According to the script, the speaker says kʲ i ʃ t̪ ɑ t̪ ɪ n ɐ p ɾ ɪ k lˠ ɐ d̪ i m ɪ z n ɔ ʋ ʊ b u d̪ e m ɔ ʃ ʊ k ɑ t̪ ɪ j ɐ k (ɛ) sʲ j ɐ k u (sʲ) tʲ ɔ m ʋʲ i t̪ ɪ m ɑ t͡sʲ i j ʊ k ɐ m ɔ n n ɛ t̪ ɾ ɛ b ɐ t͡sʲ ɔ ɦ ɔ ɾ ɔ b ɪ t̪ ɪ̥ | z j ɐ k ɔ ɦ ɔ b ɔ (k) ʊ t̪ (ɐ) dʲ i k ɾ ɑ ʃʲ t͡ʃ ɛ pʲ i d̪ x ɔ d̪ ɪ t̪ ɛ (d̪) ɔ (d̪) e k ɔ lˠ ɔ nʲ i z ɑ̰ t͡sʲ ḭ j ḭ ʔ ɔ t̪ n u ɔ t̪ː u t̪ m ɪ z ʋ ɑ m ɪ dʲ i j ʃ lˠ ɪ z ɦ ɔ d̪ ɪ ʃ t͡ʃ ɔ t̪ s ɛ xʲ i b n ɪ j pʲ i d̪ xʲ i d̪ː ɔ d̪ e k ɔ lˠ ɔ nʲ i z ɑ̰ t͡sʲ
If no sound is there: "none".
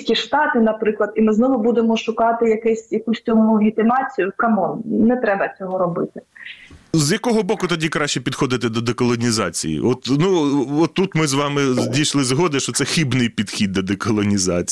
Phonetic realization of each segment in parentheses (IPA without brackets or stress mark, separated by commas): ɛ, sʲ, k, ɐ, d̪, d̪